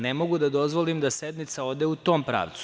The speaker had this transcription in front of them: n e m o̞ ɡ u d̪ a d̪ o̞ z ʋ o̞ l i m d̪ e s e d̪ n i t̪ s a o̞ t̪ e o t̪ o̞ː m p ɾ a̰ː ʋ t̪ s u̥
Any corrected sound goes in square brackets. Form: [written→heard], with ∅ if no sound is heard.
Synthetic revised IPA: n e m o̞ ɡ u d̪ a d̪ o̞ z ʋ o̞ l i m d̪ [e→a] s e d̪ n i t̪ s a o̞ [t̪→d̪] e [o→u] t̪ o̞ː m p ɾ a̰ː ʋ t̪ s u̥